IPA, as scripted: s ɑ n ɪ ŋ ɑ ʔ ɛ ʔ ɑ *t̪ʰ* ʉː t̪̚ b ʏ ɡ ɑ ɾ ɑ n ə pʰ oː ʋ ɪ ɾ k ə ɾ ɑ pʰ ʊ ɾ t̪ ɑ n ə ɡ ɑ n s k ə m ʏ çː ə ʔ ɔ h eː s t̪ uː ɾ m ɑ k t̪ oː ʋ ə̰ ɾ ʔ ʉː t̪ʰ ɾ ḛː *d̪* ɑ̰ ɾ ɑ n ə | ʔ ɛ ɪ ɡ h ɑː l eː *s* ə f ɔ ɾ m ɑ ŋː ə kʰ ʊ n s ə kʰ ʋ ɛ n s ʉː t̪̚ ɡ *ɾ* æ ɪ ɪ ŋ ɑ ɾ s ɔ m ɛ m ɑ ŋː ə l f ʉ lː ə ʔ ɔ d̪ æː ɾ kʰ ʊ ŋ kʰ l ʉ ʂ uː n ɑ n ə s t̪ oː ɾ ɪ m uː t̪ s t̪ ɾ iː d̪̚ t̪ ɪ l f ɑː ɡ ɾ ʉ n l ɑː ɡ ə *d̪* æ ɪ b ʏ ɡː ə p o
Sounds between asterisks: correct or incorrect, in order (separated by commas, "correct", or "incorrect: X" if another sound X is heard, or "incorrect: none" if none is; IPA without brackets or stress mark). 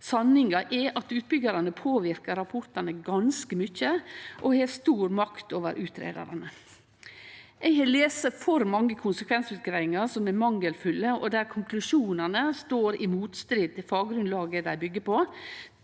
incorrect: t̪, correct, correct, correct, correct